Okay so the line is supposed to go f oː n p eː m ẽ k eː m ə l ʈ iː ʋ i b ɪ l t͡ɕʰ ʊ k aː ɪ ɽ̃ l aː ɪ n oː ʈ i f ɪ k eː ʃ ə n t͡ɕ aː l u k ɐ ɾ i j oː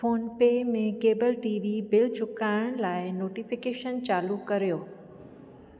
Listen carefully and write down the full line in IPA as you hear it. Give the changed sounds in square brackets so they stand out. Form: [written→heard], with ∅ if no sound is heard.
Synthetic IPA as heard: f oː n p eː m ẽ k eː [m→b] ə l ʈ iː ʋ i b ɪ l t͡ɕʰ ʊ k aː ɪ ɽ̃ l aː ɪ n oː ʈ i f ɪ k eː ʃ ə n t͡ɕ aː l u k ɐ ɾ i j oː